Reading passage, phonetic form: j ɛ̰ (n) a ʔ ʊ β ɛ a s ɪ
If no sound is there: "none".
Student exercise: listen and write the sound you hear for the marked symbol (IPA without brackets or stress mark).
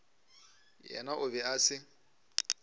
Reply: n